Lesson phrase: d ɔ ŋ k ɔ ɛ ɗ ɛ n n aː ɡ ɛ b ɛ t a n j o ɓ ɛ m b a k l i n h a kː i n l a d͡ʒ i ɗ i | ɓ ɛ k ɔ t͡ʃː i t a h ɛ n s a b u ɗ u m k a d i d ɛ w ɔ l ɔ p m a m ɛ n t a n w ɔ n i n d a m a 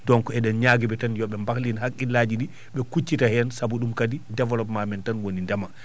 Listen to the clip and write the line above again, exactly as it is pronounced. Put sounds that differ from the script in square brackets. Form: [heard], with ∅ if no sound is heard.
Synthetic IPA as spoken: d ɔ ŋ k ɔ ɛ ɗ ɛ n [ɲ] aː ɡ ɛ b ɛ t a n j [ɔ] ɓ ɛ m b a k l i n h a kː i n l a d͡ʒ i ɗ i | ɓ ɛ k [u] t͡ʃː i t a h ɛ n s a b u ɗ u m k a d i d ɛ [v] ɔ l ɔ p m a m ɛ n t a n w [o] n i n d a m a